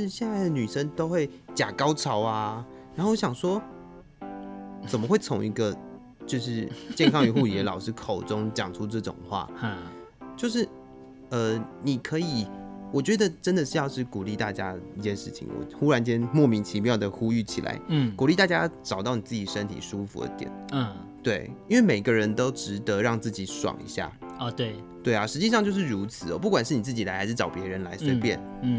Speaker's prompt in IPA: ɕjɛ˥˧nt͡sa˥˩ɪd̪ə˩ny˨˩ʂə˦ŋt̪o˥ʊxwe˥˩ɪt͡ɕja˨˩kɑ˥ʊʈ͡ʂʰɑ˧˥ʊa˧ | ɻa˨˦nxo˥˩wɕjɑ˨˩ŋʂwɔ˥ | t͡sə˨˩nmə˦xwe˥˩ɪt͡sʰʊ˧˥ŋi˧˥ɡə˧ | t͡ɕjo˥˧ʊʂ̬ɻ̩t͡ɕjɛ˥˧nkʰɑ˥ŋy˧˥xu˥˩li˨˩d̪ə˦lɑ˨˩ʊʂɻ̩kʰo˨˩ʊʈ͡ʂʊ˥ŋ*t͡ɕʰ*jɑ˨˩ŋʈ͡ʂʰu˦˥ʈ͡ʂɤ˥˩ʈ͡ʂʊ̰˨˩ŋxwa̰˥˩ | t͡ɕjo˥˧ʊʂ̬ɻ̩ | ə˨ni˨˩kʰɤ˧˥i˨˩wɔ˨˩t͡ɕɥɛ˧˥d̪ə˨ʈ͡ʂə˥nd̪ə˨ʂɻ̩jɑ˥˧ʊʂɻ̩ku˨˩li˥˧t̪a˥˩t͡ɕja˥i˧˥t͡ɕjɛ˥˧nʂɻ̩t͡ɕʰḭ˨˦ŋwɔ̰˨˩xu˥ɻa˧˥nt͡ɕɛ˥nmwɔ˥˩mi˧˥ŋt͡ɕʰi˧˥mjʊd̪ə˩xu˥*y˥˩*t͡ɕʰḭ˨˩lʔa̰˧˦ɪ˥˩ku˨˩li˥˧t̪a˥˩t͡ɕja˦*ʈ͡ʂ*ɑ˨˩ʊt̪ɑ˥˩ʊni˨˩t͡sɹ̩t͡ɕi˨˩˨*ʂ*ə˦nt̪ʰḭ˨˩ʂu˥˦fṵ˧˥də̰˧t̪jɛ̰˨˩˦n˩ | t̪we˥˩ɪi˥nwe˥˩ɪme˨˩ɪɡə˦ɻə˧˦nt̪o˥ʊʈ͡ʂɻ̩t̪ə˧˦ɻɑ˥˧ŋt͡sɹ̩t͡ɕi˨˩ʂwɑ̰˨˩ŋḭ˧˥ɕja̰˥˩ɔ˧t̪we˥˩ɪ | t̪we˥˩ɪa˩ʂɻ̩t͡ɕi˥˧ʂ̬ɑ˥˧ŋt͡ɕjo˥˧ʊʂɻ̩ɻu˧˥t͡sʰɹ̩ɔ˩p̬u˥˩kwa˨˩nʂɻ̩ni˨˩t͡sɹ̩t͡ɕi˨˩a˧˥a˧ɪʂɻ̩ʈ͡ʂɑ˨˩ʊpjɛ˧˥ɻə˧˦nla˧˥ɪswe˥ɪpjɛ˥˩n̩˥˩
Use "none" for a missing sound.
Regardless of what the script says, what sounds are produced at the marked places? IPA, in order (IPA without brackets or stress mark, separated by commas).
t͡ɕ, y˥˩, ʈ͡ʂ, ʂ